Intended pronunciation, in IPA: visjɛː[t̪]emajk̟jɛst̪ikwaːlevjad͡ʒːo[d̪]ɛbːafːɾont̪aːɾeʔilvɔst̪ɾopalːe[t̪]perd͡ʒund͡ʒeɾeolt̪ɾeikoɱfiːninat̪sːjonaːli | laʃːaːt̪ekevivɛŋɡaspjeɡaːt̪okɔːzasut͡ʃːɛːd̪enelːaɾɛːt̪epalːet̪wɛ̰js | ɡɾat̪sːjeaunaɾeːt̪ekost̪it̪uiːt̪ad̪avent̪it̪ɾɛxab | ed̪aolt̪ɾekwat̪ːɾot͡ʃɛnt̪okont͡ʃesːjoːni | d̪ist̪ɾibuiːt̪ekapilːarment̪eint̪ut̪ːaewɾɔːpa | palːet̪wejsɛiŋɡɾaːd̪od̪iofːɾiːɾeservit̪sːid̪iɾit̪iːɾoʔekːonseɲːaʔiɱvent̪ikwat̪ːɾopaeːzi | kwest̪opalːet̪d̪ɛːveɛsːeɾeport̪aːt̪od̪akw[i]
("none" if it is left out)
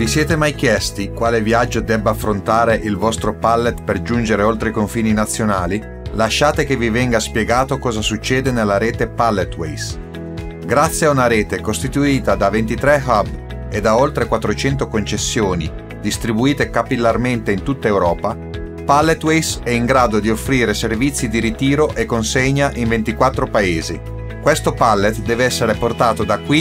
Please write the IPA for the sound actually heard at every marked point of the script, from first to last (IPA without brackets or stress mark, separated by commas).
t̪, d̪, t̪, i